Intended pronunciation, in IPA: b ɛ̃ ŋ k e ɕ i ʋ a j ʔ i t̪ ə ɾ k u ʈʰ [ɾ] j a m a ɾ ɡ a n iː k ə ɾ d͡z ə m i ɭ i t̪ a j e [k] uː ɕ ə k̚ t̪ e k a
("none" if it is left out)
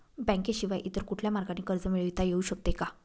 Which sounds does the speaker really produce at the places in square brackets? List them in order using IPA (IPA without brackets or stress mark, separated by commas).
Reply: l, none